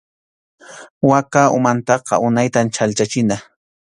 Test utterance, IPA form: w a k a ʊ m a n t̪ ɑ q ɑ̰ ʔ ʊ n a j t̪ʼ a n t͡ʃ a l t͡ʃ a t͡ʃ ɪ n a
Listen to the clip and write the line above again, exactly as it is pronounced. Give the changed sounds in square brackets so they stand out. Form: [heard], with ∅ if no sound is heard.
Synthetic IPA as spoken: w a k a ʊ m a n t̪ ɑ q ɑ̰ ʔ ʊ n a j [t̪] a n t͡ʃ a l t͡ʃ a t͡ʃ ɪ n a